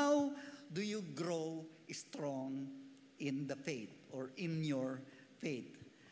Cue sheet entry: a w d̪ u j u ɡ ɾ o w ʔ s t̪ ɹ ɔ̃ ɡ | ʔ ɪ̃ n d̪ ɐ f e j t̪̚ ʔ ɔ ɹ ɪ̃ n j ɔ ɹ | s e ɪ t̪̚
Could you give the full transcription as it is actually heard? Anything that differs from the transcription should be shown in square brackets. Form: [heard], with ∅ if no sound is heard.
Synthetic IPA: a w d̪ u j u ɡ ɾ o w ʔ s t̪ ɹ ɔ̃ [ŋ] | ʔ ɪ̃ n d̪ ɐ f e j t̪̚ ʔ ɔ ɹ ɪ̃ n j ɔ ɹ | [f] e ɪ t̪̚